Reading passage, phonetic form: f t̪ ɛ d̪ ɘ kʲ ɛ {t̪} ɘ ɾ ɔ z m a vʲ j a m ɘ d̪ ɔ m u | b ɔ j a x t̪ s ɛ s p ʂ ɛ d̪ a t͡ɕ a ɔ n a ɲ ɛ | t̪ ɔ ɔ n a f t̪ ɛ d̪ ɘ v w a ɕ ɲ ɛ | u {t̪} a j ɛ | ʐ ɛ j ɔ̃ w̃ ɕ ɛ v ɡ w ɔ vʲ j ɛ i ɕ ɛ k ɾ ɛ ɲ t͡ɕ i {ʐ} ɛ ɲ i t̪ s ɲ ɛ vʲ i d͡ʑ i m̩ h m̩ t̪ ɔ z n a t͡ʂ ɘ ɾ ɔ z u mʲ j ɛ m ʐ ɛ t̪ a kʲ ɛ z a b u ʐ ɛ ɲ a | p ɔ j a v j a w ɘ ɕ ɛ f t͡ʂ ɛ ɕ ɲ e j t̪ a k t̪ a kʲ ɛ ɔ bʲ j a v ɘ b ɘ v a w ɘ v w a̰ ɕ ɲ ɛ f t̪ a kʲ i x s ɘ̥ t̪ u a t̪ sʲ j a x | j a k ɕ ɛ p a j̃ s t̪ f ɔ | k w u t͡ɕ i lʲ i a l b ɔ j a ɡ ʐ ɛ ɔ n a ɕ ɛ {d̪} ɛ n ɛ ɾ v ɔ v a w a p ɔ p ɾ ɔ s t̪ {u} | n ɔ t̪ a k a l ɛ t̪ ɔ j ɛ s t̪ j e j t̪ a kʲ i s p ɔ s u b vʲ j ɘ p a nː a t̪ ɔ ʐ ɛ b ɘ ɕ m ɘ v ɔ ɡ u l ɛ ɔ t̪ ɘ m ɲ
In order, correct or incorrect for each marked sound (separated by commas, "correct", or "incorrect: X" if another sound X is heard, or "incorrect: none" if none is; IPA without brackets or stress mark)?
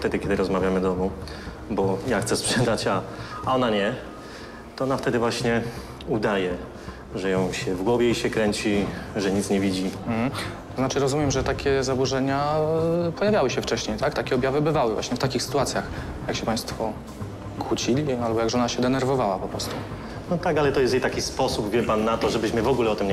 incorrect: d̪, incorrect: d̪, correct, correct, correct